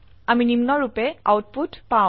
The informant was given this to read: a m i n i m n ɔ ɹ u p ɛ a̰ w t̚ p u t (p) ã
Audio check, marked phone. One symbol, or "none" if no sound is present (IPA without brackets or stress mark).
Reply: p